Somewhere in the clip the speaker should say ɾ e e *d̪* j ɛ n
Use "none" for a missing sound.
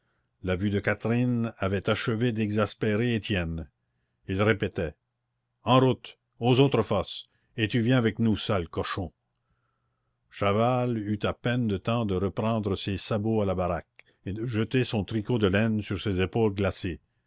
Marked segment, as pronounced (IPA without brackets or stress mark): t̪